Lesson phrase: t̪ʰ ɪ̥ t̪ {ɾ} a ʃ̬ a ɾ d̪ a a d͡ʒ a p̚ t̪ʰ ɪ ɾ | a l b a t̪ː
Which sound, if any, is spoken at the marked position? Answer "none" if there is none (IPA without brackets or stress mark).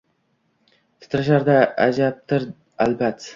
ɾ